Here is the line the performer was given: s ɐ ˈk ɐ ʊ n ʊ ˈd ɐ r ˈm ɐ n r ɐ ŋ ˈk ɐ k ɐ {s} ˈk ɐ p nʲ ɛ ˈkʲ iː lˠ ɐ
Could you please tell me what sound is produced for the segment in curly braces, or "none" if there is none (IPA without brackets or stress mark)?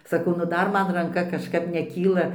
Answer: ʃ